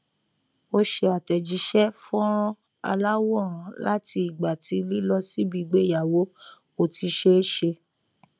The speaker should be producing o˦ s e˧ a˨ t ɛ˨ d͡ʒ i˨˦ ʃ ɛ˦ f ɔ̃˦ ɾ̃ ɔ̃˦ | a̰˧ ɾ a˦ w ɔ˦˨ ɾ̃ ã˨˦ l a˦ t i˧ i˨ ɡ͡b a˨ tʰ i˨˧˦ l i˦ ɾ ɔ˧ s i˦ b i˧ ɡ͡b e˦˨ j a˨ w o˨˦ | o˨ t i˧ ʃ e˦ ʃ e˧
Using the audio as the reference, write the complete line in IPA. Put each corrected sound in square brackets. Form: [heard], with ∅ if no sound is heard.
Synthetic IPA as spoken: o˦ [ʃ] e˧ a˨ t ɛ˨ d͡ʒ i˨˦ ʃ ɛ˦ f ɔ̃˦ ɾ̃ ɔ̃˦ | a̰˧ [l] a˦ w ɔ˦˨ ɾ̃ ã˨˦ l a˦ t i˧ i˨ ɡ͡b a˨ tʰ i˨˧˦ l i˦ [l] ɔ˧ s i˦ b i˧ ɡ͡b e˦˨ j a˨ w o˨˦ | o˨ t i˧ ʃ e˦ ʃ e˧